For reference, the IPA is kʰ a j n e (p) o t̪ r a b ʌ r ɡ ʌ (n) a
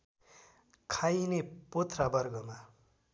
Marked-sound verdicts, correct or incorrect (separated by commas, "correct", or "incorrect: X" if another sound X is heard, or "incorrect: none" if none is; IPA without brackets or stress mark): correct, incorrect: m